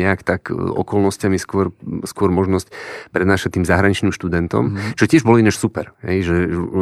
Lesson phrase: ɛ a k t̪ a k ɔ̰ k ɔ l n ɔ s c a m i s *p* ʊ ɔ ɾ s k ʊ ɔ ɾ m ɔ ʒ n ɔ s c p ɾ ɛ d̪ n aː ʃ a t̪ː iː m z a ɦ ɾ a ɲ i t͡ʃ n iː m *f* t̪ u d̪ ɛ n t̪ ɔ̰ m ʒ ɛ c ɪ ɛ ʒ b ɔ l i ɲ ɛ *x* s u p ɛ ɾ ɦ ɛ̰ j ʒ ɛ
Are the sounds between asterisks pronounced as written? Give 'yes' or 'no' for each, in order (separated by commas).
no, no, no